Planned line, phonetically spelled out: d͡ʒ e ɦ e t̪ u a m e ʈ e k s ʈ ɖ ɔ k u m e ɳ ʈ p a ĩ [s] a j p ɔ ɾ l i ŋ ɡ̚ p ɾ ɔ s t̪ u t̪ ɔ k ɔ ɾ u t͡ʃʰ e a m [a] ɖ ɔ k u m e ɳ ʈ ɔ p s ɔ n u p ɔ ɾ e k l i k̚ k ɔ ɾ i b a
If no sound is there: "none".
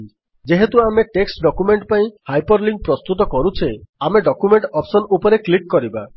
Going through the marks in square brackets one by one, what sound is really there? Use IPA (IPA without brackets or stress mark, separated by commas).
h, e